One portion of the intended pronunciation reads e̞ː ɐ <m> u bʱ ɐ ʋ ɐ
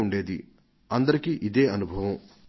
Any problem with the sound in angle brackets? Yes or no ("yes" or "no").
yes